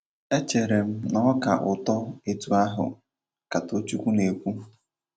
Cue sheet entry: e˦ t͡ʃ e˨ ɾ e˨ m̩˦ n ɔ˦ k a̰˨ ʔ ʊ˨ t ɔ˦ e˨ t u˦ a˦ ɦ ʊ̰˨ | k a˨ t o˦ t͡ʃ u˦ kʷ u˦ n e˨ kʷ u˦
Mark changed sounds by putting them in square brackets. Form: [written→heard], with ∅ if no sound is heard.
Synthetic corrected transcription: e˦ t͡ʃ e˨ ɾ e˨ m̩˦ n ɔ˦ k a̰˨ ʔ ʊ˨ t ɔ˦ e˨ t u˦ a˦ ɦ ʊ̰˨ | k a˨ t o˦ t͡ʃ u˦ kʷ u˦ n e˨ kʷ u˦